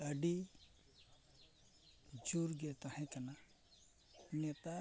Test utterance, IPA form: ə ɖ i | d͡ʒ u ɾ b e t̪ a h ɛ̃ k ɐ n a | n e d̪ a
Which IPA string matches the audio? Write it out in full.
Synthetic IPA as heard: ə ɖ i | d͡ʒ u ɾ ɡ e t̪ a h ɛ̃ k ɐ n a | n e t̪ a